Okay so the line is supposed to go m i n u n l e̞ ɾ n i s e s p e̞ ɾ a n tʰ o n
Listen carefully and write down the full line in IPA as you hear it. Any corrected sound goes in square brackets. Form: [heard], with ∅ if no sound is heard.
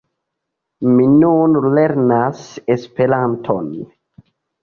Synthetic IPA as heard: m i n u n l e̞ ɾ n [a] s e s p e̞ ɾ a n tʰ o n